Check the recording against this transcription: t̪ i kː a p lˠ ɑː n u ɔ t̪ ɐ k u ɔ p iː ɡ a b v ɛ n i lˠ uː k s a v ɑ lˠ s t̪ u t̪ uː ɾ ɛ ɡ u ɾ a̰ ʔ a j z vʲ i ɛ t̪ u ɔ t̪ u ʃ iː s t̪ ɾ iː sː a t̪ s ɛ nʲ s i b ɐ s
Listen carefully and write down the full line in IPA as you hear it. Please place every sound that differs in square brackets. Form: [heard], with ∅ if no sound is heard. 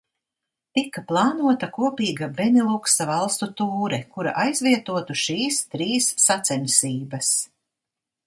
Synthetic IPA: t̪ i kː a p lˠ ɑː n u ɔ t̪ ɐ k u ɔ p iː ɡ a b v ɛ n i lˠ [u] k s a v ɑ lˠ s t̪ u t̪ uː ɾ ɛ [k] u ɾ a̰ ʔ a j z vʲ i ɛ t̪ u ɔ t̪ u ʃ iː s t̪ ɾ iː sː a t̪ s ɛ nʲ s [iː] b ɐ s